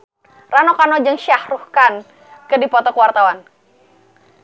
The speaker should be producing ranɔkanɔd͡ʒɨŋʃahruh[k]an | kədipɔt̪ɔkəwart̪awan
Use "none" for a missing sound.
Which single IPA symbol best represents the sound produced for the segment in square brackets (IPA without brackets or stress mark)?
k